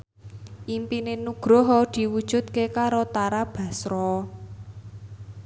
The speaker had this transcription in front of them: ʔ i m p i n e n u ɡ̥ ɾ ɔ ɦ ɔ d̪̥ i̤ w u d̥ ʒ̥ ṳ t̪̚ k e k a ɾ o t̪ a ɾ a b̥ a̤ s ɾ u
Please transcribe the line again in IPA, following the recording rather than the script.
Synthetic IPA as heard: ʔ i m p i n e n u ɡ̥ ɾ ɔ ɦ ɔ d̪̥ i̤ w u d̥ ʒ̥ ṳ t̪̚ k e k a ɾ o t̪ a ɾ a b̥ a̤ s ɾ ɔ